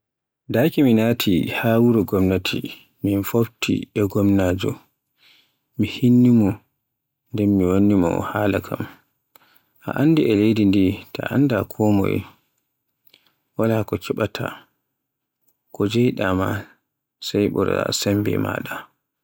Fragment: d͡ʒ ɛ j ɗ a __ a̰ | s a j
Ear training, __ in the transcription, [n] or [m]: m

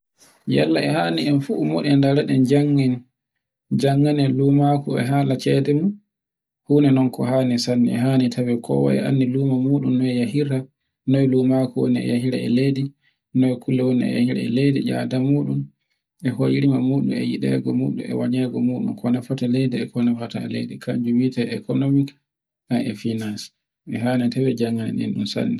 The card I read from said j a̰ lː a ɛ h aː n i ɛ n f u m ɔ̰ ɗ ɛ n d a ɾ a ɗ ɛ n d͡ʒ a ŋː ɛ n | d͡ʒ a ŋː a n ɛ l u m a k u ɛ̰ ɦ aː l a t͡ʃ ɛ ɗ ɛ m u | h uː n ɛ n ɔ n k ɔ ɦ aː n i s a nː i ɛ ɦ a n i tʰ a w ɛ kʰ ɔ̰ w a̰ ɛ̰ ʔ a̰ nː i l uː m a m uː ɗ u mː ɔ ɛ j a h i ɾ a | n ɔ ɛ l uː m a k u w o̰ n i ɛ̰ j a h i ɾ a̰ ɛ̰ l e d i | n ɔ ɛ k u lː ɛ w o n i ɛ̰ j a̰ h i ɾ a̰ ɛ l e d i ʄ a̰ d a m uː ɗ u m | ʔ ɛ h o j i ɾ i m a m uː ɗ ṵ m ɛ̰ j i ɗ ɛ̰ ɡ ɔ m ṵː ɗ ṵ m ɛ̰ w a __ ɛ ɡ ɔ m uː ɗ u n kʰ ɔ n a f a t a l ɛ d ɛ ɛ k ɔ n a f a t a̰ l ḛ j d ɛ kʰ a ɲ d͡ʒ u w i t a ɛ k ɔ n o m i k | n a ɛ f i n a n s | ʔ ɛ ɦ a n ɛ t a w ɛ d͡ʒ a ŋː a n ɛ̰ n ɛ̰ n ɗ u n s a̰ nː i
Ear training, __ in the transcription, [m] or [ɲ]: ɲ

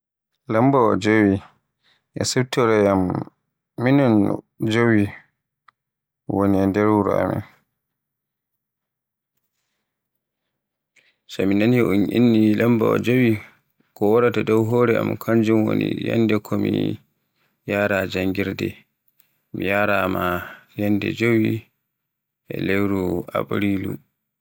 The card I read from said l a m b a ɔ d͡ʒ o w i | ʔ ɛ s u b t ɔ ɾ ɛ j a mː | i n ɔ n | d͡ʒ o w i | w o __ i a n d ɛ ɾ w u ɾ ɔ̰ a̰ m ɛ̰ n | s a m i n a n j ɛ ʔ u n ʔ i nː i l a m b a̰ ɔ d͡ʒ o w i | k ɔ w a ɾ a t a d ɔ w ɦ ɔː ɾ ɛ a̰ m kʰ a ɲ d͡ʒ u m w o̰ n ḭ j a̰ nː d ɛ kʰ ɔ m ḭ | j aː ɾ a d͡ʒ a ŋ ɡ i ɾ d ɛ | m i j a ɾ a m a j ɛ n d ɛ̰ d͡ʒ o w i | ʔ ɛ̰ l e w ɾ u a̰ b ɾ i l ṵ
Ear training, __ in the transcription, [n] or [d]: n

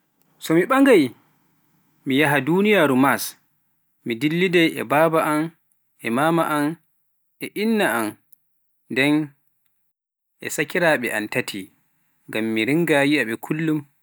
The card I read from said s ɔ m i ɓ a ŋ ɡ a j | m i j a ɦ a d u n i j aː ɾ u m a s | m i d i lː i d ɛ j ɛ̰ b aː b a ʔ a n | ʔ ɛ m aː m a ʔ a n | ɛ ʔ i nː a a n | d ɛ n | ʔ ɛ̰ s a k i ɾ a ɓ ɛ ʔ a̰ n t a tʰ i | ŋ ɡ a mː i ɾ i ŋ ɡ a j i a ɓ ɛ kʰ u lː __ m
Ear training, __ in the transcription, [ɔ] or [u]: u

